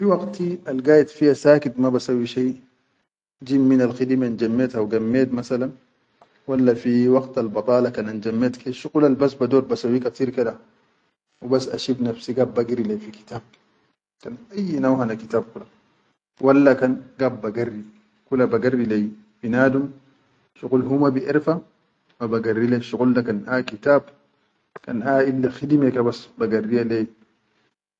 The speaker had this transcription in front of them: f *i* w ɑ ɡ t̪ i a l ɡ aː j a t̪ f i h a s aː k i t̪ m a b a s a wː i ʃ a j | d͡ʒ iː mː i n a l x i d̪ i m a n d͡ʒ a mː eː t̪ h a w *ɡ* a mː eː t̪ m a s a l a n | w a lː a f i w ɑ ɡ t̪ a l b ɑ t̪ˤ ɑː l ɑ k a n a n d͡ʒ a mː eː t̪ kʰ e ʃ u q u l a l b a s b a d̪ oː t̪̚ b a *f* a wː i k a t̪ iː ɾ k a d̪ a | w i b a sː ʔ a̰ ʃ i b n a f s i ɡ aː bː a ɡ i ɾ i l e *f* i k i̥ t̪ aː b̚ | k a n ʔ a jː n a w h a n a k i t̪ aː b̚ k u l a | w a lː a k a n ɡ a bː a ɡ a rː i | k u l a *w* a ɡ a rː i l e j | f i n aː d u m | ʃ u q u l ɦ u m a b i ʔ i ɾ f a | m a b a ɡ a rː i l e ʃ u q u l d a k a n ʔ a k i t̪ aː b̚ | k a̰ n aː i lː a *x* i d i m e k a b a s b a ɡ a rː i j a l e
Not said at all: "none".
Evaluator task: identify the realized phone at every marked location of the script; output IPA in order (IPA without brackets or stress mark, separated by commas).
i, ɡ, s, f, b, x